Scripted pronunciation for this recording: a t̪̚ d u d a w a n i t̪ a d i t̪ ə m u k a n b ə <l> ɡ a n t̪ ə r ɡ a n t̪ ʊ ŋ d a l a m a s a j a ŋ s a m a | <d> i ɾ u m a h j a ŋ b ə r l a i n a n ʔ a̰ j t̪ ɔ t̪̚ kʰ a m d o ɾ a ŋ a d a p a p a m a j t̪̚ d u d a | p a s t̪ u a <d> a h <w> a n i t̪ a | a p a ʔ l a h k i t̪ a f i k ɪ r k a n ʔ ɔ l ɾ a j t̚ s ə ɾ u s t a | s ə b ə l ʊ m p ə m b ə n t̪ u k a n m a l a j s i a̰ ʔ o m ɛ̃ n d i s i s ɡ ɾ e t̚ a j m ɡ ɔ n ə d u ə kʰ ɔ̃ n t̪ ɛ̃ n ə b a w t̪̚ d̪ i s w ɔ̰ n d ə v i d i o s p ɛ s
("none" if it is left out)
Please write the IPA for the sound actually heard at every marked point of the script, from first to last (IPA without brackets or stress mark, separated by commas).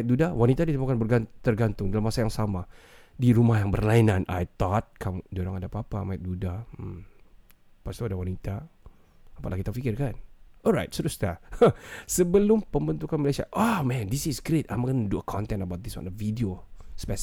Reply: r, d, d, w